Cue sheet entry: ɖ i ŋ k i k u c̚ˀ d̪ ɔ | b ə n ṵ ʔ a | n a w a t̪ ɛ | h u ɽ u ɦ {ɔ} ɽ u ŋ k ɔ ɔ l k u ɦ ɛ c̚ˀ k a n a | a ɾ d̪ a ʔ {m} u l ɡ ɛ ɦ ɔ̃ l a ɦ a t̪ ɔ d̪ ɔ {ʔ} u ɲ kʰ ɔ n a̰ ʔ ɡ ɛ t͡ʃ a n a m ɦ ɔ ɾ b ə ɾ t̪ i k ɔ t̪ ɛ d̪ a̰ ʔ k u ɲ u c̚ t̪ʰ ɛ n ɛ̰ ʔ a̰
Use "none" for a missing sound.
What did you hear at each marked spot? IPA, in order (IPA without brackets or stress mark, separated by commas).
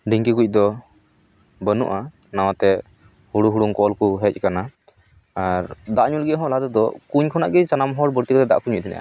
u, ɲ, k